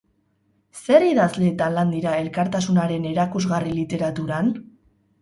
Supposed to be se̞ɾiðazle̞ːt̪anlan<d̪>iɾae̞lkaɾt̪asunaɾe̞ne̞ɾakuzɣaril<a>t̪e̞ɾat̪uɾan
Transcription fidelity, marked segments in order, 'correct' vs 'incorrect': correct, incorrect: i

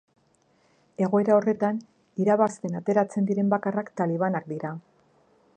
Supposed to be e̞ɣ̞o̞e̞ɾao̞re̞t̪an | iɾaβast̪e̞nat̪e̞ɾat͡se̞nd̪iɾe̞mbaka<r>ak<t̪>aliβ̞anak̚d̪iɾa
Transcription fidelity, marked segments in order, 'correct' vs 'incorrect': correct, correct

